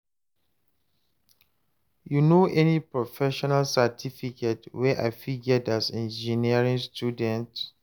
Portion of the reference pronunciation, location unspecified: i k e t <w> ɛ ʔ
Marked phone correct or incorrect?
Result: correct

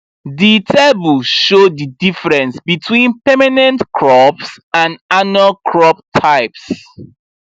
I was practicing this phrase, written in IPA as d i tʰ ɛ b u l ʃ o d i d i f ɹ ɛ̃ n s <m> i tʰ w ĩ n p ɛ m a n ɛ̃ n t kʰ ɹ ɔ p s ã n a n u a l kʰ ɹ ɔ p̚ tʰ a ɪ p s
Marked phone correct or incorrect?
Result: incorrect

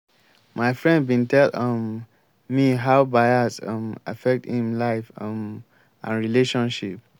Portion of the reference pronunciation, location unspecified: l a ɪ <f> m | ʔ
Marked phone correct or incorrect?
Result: correct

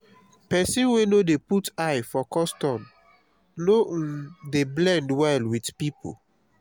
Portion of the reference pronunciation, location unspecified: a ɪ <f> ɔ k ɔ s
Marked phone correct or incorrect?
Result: correct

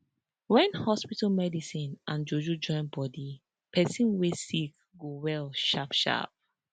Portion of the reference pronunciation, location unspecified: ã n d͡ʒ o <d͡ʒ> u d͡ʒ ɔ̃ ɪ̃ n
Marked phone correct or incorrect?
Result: correct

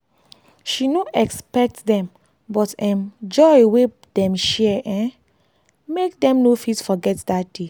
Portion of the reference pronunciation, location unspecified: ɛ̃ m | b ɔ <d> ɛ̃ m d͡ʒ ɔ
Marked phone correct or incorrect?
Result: incorrect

